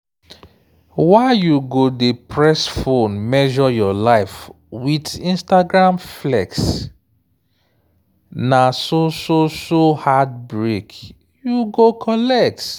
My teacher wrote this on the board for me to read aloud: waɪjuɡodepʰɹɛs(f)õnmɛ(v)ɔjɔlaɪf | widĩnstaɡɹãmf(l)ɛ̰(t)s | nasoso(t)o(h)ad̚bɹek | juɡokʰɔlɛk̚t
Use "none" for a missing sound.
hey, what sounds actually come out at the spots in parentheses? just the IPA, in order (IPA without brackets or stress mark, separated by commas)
f, ʒ, l, k, s, h